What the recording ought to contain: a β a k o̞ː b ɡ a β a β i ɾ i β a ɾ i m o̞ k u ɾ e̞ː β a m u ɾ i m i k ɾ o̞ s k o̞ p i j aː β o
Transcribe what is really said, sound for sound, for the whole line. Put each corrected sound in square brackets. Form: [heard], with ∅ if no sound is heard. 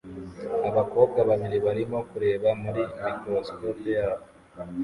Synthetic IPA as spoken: a β a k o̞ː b ɡ a β a β i ɾ i β a ɾ i m o̞ k u ɾ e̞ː β a m u ɾ i m i k ɾ o̞ s k o̞ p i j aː β o